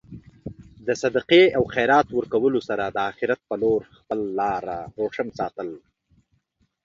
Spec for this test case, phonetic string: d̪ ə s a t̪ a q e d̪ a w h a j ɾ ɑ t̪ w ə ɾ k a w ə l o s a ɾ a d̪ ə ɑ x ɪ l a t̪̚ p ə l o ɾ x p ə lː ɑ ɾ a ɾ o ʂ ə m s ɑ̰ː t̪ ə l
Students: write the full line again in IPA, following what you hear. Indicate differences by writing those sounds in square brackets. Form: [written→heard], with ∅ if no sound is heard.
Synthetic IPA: d̪ ə s a [t̪→d̪] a q e [d̪→∅] a w [h→x] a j ɾ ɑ t̪ w ə ɾ k a w ə l o s a ɾ a d̪ ə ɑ x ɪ [l→ɾ] a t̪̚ p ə l o ɾ x p ə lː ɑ ɾ a ɾ o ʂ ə m s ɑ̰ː t̪ ə l